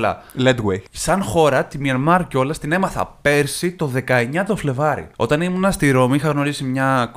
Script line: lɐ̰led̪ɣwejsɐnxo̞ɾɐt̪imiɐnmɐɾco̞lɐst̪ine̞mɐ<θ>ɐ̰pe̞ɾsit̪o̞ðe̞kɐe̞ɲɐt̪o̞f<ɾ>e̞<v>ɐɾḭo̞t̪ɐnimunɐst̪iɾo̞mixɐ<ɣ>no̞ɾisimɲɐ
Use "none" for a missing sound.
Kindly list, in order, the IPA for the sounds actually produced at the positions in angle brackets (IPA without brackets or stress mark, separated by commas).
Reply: θ, l, v, ɣ